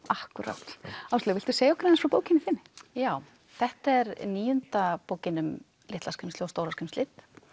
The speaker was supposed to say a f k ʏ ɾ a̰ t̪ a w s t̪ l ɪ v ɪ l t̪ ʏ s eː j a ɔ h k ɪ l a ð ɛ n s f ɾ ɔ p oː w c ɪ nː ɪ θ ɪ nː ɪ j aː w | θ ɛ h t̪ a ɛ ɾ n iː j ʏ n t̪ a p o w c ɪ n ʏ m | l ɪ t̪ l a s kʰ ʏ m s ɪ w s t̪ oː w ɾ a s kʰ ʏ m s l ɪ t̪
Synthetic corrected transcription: a h k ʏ ɾ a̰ t̪ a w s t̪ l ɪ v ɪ l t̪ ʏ s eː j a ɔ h k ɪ ɾ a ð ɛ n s f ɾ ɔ p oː w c ɪ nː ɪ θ ɪ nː ɪ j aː w | θ ɛ h t̪ a ɛ ɾ n iː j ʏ n t̪ a p o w c ɪ n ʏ m | l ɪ t̪ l a s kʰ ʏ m s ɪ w s t̪ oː w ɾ a s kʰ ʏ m s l ɪ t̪